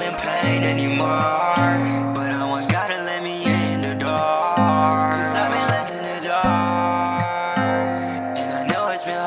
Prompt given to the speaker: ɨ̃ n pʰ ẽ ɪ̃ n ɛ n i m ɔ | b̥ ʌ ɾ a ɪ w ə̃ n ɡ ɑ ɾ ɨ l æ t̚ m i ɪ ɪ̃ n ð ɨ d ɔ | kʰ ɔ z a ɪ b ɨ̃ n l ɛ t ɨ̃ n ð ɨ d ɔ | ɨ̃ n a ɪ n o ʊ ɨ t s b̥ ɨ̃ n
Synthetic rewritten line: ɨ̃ n pʰ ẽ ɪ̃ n ɛ n i m ɔ | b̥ ʌ ɾ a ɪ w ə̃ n ɡ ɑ ɾ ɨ l ɛ t̚ m i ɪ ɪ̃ n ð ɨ d ɔ | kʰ ʌ z a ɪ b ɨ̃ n l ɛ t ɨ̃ n ð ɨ d ɔ | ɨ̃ n a ɪ n o ʊ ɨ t s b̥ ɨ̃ n